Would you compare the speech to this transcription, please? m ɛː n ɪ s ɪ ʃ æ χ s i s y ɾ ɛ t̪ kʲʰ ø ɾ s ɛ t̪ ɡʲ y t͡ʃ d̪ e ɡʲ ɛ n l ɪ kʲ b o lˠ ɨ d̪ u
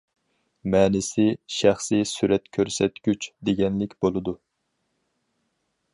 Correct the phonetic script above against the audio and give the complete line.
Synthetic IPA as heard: m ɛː n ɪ s ɪ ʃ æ χ s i s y ɾ ɛ t̪ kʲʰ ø ɾ s ɛ t̪ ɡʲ y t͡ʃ d̪ e ɡʲ ɛ n l ɪ kʲ b o lˠ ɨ d̪ u